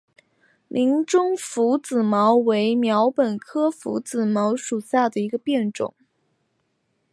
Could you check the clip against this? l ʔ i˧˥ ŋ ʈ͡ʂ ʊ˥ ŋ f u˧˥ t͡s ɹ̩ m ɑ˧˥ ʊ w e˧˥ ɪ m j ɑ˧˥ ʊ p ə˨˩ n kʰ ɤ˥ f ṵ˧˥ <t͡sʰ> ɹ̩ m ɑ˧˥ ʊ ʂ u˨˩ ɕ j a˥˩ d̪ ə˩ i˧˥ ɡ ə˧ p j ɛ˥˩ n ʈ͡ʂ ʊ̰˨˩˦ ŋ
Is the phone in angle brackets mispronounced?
yes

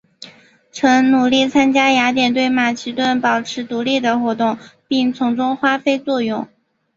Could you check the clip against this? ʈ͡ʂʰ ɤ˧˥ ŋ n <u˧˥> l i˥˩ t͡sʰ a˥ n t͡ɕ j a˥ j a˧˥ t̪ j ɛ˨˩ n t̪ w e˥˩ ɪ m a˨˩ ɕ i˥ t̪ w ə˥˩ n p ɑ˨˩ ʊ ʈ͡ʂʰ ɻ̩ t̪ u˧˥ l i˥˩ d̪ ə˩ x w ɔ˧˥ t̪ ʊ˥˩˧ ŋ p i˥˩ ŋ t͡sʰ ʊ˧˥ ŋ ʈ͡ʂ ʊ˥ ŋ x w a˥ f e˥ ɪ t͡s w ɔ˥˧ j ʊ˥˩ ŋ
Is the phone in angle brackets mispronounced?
yes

